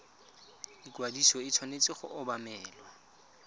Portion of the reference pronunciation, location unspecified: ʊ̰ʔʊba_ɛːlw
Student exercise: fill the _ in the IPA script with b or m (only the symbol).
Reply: m